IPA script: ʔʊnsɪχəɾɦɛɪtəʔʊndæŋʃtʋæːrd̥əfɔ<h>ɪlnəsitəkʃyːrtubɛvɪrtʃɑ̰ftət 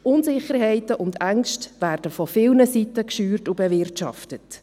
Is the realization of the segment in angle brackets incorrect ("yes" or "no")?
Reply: yes